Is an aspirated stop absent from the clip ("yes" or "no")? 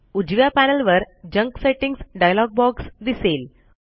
yes